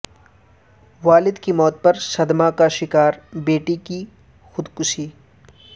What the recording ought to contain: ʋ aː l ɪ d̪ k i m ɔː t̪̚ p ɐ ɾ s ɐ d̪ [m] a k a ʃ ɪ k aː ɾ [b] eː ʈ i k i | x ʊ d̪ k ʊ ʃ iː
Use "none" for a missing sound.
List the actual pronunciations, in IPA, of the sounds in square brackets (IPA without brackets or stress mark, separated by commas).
m, b